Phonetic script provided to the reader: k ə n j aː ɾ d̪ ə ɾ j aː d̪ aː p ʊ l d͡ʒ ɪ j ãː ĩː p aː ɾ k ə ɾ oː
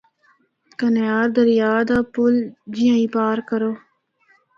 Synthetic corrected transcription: k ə n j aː ɾ d̪ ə ɾ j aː d̪ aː p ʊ l d͡ʒ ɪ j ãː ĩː p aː ɾ k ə ɾ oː